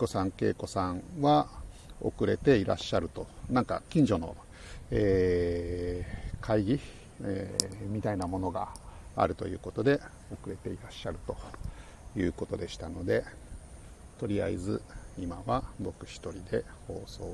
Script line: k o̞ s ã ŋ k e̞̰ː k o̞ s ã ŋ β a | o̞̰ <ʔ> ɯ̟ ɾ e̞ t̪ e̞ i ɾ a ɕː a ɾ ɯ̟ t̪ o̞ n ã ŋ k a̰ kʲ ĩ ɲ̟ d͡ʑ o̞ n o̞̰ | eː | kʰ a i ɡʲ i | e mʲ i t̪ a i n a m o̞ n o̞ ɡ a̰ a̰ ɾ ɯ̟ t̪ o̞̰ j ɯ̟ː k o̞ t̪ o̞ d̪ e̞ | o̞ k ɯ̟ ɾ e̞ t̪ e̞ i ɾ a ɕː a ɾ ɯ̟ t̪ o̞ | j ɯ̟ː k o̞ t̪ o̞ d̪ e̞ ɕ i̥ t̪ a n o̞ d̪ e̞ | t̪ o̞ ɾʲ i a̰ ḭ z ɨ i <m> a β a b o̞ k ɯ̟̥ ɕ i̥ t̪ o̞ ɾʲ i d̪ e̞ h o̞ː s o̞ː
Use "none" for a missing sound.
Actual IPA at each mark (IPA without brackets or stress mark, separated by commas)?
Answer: k, m